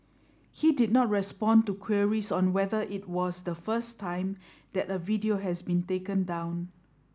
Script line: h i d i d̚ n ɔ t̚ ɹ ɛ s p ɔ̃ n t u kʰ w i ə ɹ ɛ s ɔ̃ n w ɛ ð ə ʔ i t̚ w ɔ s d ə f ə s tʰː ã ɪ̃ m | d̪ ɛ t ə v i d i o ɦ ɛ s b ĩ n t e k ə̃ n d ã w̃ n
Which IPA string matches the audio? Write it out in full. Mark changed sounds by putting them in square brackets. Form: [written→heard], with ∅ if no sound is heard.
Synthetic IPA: h i d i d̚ n ɔ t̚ ɹ ɛ s p ɔ̃ n t u kʰ w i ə ɹ [ɛ→i] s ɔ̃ n w ɛ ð ə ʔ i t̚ w ɔ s d ə f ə s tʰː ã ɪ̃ m | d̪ ɛ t ə v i d i o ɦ ɛ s b ĩ n t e k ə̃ n d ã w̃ n